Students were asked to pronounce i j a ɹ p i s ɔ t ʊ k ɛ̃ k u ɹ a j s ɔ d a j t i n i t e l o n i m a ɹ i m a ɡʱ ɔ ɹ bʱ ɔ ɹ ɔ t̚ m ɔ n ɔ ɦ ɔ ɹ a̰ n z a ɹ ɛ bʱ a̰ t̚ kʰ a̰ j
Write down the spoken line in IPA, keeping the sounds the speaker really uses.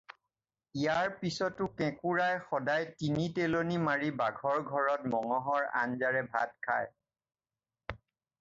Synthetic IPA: i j a ɹ p i s ɔ t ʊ k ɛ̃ k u ɹ a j x ɔ d a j t i n i t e l o n i m a ɹ i b a ɡʱ ɔ ɹ ɡʱ ɔ ɹ ɔ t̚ m ɔ ŋ ɔ ɦ ɔ ɹ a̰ n z a ɹ ɛ bʱ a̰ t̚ kʰ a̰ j